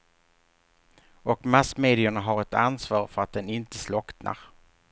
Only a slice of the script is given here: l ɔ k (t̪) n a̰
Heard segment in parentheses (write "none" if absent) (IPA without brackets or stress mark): t̪